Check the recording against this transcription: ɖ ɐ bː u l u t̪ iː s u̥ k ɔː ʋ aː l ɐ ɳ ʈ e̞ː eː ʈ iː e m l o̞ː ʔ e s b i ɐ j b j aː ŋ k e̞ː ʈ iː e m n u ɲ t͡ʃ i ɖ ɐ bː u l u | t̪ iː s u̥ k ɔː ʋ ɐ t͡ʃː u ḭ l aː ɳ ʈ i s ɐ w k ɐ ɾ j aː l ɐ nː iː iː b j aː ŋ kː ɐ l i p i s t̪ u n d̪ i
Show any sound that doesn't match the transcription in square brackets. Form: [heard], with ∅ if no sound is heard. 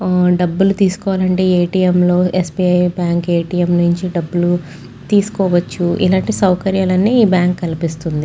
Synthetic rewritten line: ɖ ɐ bː u l u t̪ iː s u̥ k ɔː ʋ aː l ɐ ɳ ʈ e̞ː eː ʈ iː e m l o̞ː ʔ e s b i ɐ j b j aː ŋ k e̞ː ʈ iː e m n u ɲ t͡ʃ i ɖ ɐ bː u l u | t̪ iː s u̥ k ɔː ʋ ɐ t͡ʃː u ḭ l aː ɳ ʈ i s ɐ w k ɐ ɾ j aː l ɐ nː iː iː b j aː ŋ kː ɐ l i p i s t̪ u n d̪ i